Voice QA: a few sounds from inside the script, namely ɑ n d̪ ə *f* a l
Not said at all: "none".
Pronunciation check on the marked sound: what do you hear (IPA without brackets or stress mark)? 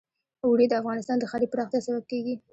x